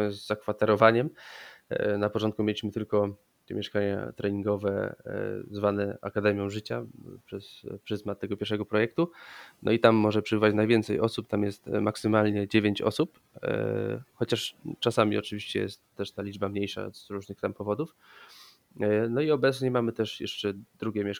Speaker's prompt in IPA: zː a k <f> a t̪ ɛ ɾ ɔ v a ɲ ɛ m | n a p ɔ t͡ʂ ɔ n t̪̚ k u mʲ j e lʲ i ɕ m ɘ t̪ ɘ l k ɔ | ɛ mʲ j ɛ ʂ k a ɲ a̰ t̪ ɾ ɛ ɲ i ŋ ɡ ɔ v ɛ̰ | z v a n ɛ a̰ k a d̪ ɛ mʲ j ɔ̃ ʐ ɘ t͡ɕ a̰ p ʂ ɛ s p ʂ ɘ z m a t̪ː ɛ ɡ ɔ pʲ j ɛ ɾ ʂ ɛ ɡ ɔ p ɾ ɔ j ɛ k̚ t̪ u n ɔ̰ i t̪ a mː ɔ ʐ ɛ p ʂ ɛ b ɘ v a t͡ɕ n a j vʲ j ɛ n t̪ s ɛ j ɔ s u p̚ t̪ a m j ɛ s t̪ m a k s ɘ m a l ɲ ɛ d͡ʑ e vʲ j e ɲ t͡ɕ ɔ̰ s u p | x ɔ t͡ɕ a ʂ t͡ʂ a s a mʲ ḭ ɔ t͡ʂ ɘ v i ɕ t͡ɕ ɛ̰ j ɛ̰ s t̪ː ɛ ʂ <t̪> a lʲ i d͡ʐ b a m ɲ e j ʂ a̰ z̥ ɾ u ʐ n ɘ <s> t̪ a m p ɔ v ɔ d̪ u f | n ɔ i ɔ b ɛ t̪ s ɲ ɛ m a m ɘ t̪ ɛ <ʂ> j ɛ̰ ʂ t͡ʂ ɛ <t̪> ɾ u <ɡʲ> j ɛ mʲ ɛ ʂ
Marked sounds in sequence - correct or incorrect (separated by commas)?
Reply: correct, correct, incorrect, correct, incorrect, correct